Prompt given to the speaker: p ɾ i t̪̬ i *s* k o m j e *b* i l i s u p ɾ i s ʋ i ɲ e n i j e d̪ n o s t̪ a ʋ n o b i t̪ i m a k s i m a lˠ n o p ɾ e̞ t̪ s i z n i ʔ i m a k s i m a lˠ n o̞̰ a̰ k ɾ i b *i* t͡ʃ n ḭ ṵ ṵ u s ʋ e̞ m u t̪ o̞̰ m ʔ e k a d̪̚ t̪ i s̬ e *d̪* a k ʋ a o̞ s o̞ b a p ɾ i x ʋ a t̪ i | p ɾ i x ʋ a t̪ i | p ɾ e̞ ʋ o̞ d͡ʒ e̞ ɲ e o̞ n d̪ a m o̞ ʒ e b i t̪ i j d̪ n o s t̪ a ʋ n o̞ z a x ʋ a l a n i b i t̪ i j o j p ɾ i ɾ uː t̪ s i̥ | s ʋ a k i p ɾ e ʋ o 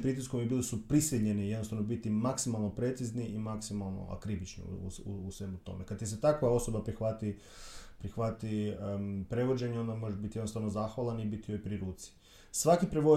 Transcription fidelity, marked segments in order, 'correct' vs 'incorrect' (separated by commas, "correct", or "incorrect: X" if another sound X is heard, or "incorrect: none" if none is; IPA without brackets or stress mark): correct, correct, correct, incorrect: t̪